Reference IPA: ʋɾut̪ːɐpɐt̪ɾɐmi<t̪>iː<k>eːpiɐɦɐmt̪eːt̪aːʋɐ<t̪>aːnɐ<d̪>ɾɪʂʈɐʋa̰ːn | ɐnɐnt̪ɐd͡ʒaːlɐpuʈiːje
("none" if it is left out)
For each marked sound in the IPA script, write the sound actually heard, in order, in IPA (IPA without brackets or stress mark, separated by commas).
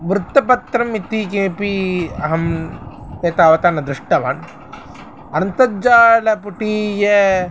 t̪, k, t̪, d̪